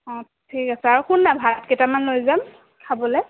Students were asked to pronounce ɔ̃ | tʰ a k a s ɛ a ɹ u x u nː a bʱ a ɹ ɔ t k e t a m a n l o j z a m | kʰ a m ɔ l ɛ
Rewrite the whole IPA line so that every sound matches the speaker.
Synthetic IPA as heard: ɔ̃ | tʰ i k a s ɛ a ɹ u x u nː a bʱ a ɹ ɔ t k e t a m a n l o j z a m | kʰ a b ɔ l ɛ